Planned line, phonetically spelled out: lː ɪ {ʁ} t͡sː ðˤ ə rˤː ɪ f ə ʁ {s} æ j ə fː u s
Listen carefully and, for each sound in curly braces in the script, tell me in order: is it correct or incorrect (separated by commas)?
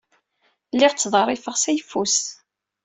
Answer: correct, correct